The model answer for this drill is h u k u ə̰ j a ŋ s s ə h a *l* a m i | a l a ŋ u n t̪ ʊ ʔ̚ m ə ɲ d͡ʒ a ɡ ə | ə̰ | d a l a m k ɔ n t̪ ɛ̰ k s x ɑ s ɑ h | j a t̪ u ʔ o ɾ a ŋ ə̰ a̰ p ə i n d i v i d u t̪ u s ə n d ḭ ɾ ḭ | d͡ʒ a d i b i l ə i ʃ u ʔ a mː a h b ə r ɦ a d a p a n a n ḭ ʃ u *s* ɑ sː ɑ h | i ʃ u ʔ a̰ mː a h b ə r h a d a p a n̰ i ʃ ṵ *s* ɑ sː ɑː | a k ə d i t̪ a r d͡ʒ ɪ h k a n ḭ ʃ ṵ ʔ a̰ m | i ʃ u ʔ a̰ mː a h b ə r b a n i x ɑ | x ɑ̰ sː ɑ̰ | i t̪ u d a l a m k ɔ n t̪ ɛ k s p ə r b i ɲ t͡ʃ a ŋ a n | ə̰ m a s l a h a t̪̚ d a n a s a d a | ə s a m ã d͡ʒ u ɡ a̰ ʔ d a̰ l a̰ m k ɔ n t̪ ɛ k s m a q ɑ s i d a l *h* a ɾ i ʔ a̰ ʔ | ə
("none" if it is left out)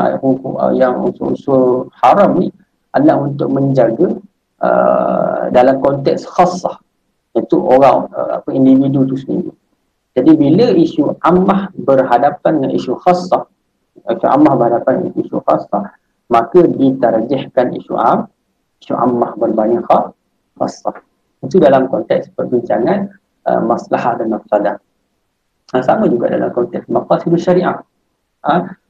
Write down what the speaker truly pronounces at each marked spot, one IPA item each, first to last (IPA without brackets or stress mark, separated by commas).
ɾ, x, x, ʃ